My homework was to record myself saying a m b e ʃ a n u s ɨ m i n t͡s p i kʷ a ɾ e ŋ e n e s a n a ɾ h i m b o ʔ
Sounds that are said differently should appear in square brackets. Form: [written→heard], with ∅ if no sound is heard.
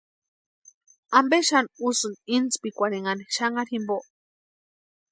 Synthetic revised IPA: a m b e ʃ a n u s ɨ [m→n] i n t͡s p i kʷ a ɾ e ŋ [e→a] n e [s→ʃ] a [n→ŋ] a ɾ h i m b o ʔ